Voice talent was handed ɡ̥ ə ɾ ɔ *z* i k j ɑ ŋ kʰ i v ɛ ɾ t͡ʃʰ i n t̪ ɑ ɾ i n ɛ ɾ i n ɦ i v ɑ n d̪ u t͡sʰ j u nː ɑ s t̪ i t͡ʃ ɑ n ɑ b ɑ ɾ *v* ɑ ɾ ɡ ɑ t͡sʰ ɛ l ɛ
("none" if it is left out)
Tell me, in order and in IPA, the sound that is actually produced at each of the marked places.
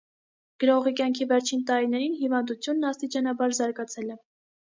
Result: ʁ, z

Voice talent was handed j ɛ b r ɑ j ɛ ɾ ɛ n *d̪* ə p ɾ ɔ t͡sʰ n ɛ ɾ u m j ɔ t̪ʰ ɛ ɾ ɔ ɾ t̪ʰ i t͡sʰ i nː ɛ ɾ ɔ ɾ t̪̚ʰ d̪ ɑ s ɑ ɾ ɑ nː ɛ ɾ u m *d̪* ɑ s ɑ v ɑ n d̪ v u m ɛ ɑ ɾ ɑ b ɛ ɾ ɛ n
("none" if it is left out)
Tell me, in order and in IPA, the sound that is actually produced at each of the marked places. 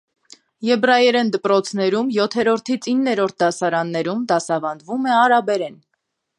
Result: d̪, d̪

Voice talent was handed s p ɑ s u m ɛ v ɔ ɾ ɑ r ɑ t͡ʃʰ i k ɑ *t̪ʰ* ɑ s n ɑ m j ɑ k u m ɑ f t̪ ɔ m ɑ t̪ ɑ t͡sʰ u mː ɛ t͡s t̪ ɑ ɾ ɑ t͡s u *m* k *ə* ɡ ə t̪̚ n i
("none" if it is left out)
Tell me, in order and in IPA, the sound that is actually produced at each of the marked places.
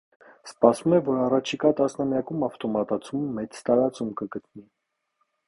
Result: t̪, m, ə

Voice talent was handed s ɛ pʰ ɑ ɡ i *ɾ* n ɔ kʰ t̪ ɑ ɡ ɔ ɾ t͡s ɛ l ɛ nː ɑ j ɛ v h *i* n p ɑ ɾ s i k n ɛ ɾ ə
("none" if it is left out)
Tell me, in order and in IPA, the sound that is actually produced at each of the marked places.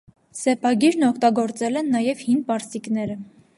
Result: ɾ, i

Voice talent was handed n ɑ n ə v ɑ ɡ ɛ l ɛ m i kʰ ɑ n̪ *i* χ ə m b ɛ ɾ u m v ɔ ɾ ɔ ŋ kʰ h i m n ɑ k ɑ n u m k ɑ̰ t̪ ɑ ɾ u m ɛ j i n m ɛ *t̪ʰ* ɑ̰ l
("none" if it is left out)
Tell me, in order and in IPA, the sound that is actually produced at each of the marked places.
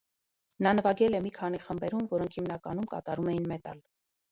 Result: i, t̪

